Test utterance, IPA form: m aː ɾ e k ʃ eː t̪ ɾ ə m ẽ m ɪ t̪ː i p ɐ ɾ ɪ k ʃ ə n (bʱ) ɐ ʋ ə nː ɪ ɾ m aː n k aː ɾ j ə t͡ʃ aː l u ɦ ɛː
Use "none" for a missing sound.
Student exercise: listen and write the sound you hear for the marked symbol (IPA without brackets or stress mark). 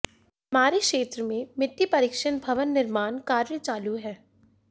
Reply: bʱ